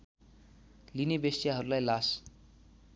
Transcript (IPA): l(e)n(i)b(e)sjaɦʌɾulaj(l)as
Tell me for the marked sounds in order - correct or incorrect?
incorrect: i, incorrect: e, correct, correct

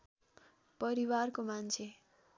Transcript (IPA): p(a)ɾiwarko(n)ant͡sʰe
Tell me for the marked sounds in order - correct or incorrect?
incorrect: ʌ, incorrect: m

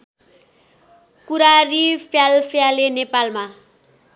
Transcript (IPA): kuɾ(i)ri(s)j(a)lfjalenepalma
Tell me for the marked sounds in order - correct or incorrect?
incorrect: a, incorrect: f, correct

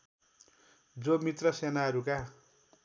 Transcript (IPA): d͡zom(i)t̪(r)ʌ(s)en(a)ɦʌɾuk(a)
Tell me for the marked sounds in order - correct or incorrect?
correct, correct, correct, correct, correct

